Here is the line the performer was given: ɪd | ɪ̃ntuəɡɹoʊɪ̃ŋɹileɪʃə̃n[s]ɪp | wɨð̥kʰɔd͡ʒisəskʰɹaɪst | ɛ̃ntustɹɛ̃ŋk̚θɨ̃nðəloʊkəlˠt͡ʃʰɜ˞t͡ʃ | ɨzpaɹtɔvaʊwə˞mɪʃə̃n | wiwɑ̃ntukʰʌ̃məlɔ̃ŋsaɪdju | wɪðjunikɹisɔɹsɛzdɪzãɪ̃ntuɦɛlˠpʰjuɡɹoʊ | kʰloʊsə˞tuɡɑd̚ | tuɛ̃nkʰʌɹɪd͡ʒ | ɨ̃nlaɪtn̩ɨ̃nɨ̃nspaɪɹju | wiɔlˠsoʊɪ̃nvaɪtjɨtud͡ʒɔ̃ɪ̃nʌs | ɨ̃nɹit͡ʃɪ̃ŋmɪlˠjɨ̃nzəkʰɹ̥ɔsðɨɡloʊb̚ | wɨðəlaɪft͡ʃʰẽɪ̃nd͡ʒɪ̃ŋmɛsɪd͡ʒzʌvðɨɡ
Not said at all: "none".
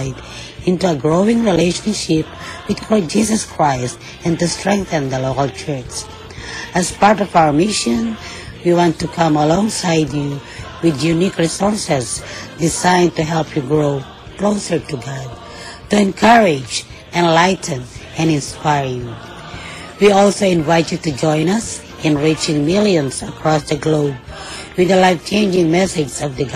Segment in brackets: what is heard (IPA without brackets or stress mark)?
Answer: ʃ